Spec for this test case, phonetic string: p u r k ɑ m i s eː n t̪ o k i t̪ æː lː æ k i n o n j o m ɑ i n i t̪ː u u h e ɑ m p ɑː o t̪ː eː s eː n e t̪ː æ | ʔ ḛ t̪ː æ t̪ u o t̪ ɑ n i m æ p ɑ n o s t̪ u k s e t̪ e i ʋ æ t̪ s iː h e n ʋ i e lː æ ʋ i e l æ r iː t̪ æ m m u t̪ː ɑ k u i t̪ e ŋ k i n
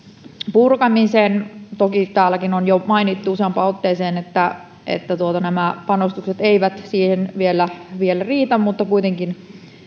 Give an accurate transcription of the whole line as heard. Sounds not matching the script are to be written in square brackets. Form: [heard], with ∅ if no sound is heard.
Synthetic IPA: p u r k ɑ m i s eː n t̪ o k i t̪ æː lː æ k i n o n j o m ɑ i n i t̪ː u u [s] e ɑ m p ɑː o t̪ː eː s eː n e t̪ː æ | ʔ ḛ t̪ː æ t̪ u o t̪ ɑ n [æ] m æ p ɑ n o s t̪ u k s e t̪ e i ʋ æ t̪ s iː h e n ʋ i e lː æ ʋ i e l æ r iː t̪ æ m m u t̪ː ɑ k u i t̪ e ŋ k i n